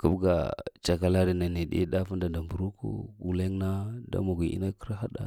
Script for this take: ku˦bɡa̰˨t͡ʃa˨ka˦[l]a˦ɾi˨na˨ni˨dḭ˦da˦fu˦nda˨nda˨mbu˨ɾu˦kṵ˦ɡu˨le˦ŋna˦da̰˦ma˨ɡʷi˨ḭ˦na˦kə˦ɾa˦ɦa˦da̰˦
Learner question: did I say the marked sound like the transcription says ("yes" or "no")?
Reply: yes